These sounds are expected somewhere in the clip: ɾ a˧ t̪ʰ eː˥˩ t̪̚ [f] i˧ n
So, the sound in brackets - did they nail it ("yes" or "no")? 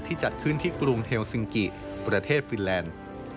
yes